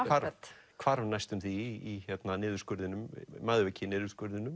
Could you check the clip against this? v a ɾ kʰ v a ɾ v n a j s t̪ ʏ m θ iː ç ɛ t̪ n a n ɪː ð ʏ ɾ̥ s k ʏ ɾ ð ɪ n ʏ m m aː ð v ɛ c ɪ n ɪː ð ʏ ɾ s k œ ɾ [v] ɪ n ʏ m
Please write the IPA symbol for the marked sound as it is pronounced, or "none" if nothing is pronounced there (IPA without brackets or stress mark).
ð